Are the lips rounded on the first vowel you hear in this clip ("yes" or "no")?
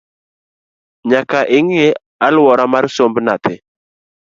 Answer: no